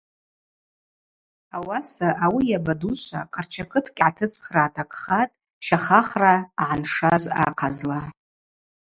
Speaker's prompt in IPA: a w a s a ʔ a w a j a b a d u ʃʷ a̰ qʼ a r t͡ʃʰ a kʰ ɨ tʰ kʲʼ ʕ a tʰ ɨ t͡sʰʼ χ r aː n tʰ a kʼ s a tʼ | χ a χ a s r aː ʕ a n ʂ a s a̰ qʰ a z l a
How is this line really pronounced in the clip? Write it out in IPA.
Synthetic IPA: a w a s a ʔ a w i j a b a d u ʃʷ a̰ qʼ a r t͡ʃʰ a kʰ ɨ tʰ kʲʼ ʕ a tʰ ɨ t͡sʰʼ χ r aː tʰ a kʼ χ a tʼ | ʃ a χ a χ r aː ʕ a n ʂ a z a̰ qʰ a z l a